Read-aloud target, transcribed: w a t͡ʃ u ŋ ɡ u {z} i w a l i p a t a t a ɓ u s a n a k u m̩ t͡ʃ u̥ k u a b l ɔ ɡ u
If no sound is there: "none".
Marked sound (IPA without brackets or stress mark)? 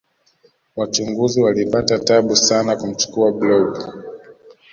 z